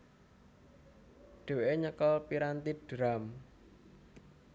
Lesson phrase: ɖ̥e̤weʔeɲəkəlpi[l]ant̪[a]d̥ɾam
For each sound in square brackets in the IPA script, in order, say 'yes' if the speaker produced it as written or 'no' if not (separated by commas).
no, no